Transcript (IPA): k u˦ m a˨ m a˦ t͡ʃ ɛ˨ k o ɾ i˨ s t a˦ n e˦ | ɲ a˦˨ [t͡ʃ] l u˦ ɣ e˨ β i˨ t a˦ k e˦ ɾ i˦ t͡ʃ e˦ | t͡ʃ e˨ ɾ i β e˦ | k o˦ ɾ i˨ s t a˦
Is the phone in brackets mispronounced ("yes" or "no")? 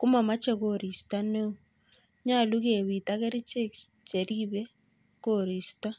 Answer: yes